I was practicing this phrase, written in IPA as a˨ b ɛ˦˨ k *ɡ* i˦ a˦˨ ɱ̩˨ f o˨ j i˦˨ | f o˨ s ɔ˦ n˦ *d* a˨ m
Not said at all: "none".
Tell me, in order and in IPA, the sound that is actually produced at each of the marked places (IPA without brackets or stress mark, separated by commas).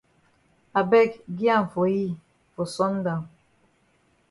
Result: ɡ, d